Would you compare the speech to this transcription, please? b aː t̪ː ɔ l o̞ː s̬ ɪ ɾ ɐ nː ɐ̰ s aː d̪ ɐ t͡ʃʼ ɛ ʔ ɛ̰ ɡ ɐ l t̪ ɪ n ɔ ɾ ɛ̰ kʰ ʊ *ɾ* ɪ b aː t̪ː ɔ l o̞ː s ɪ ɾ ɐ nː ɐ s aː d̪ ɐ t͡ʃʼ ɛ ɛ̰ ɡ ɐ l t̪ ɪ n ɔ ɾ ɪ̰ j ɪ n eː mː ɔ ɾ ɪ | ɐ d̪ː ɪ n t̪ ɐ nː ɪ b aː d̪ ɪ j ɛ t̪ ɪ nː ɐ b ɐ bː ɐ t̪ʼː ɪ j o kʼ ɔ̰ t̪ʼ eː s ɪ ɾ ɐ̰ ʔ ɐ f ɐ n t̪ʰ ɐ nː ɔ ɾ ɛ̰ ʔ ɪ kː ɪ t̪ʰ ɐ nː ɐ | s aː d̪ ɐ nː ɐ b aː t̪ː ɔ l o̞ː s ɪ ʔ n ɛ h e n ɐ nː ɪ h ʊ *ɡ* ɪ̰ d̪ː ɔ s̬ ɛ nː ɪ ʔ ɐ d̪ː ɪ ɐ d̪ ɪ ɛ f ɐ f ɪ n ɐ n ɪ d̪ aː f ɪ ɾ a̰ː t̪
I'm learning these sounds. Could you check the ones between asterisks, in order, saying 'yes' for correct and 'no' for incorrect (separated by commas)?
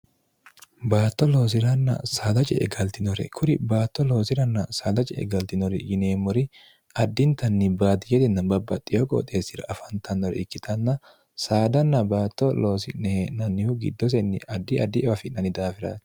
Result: yes, yes